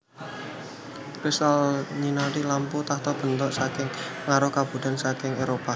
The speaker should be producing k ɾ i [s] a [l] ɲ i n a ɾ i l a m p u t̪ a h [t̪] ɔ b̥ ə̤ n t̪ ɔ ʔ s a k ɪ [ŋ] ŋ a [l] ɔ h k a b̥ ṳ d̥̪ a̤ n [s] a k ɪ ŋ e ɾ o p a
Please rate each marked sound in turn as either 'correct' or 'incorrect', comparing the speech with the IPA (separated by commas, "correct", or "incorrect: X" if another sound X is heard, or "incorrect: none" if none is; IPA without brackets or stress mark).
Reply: correct, correct, correct, correct, incorrect: ɾ, correct